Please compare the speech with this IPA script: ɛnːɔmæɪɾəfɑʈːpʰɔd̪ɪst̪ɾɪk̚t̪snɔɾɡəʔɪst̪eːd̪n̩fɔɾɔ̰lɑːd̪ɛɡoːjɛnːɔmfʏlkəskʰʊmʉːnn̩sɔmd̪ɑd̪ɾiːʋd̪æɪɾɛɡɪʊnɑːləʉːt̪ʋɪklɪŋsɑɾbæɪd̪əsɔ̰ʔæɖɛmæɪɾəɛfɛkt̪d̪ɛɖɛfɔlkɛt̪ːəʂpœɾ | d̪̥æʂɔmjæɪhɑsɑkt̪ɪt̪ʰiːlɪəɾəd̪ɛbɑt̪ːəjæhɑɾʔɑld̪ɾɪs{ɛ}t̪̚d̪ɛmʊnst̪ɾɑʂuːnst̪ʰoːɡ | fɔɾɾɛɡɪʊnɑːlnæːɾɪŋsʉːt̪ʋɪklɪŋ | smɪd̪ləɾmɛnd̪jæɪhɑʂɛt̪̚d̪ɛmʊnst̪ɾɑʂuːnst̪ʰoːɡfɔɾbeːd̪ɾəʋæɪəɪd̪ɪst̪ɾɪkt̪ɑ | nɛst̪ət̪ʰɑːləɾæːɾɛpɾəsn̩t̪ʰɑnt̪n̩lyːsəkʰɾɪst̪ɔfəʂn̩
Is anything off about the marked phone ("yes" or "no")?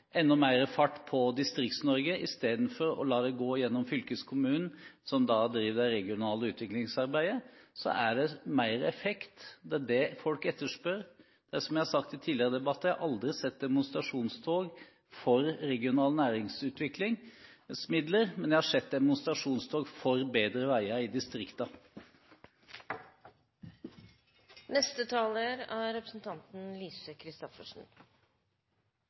no